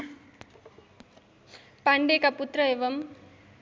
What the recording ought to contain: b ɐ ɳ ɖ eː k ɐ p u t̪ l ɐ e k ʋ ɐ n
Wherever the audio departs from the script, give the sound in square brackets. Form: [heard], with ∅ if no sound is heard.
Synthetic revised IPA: [p] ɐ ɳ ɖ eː k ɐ p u t̪ [ɾ] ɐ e [∅] ʋ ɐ [m]